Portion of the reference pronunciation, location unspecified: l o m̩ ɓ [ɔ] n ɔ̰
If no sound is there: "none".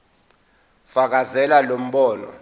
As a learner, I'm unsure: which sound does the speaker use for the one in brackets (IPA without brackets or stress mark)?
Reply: ɔː